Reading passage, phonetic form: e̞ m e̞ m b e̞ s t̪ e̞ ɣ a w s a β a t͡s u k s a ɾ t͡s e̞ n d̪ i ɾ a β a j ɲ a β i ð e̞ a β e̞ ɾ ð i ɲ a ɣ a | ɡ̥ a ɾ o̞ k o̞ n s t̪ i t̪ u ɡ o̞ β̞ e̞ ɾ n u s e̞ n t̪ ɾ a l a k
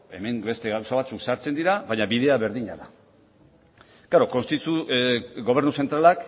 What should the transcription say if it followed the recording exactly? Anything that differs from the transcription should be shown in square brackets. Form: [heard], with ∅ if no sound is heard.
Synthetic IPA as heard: e̞ m e̞ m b e̞ s t̪ e̞ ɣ a w s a β a t͡s u k s a ɾ t͡s e̞ n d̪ i ɾ a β a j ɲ a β i ð e̞ a β e̞ ɾ ð i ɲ a [ð] a | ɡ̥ a ɾ o̞ k o̞ n s t̪ i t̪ u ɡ o̞ β̞ e̞ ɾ n u s e̞ n t̪ ɾ a l a k